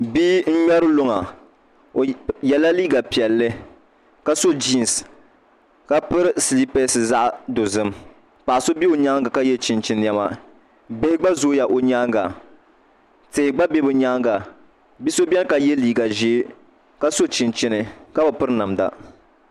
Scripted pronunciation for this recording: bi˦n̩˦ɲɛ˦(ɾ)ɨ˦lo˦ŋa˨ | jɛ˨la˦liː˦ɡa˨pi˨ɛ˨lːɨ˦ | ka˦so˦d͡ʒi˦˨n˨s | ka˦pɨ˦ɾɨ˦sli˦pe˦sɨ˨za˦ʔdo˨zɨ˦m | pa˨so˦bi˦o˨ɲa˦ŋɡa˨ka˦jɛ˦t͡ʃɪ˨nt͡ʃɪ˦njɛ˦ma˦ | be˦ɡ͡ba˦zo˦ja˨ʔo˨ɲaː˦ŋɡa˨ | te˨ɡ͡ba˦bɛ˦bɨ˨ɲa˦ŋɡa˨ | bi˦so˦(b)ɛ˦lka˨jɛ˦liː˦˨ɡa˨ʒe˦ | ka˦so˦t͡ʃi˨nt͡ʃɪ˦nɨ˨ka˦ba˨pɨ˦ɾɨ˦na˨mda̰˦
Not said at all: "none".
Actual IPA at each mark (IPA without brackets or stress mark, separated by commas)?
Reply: ɾ, b